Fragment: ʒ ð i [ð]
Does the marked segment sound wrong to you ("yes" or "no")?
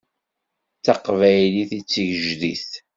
yes